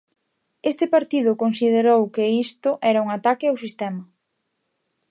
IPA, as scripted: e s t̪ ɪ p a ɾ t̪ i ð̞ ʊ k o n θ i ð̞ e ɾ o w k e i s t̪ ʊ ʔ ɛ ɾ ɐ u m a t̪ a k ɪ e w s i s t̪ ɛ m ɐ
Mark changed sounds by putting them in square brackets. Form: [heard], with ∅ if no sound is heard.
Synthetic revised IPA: e s t̪ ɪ p a ɾ t̪ i ð̞ ʊ k o n [s] i ð̞ e ɾ o w k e i s t̪ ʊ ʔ ɛ ɾ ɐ u [ŋ] a t̪ a k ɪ [a] w s i s t̪ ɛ m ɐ